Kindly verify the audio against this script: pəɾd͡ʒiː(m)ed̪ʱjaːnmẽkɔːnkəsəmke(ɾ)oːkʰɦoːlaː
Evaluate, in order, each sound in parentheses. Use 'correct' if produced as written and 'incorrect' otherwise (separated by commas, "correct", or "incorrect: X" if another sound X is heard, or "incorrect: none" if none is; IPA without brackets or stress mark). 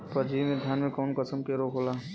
correct, correct